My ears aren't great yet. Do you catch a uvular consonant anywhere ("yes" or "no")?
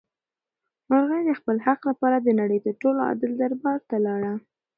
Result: yes